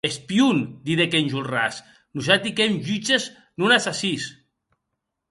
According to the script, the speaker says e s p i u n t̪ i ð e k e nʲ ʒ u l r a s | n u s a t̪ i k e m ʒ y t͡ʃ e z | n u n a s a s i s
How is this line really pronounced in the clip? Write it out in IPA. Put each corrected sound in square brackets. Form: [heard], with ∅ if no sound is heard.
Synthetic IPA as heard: e s p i u n [d̪] i ð e k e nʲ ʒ u l r a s | n u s a t̪ i k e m ʒ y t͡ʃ e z | n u n a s a s i s